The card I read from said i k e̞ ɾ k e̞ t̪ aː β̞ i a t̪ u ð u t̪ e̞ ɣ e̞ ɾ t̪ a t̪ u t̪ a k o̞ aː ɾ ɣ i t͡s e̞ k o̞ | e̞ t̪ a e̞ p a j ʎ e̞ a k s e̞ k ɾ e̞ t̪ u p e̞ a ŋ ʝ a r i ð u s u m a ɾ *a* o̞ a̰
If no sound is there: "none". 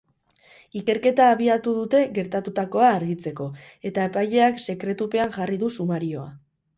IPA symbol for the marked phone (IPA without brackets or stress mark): i